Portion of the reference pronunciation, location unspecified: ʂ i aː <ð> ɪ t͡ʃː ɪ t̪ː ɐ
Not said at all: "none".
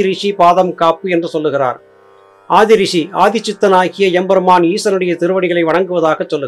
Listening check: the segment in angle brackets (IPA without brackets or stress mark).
ð